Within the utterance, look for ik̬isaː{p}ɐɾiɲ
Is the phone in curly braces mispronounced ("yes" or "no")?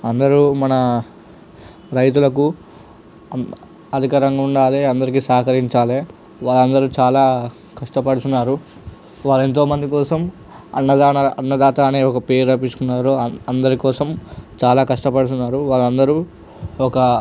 yes